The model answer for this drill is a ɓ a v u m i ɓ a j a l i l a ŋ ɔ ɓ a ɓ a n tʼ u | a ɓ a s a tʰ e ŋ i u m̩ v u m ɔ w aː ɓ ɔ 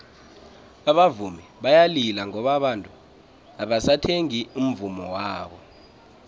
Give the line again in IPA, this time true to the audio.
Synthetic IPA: a ɓ a v u m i ɓ a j a l i l a ŋ ɔ ɓ a ɓ a n tʼ u | a ɓ a s a tʰ e ŋ i u m̩ v u m ɔ w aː ɓ ɔ